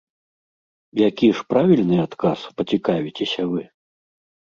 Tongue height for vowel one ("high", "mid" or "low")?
low